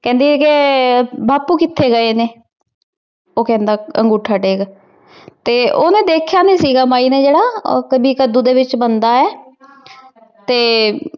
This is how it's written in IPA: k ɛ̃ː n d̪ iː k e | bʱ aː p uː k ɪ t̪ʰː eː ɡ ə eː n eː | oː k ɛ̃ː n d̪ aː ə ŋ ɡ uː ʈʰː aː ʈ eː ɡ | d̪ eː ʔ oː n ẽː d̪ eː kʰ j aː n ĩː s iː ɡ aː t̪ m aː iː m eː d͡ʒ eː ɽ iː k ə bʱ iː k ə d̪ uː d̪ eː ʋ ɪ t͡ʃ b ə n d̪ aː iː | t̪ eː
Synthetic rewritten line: k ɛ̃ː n d̪ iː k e | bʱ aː p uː k ɪ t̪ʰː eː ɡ ə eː n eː | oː k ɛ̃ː n d̪ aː ə ŋ ɡ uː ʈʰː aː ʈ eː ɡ | t̪ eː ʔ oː n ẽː d̪ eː kʰ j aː n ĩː s iː ɡ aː m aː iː n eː d͡ʒ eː ɽ aː k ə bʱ iː k ə d̪ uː d̪ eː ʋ ɪ t͡ʃ b ə n d̪ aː ɛː | t̪ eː